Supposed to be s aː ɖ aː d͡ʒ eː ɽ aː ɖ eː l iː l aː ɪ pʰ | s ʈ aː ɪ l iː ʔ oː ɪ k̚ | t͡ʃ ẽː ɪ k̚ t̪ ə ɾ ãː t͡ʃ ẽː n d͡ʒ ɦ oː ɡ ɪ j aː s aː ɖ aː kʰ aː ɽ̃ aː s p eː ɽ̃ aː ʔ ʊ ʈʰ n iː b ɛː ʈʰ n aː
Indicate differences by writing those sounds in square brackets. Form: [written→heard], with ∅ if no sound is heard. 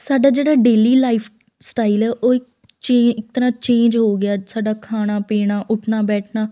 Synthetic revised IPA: s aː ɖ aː d͡ʒ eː ɽ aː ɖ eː l iː l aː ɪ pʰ | s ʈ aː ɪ l [iː→ɛː] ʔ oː ɪ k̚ | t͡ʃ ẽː ɪ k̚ t̪ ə ɾ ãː t͡ʃ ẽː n d͡ʒ ɦ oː ɡ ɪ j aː s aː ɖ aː kʰ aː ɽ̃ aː [s→∅] p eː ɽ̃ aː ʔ ʊ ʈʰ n [iː→aː] b ɛː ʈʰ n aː